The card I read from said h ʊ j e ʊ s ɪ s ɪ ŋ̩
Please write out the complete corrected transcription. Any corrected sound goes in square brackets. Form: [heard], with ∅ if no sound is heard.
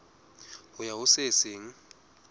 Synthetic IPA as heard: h ʊ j [a] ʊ s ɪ s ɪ ŋ̩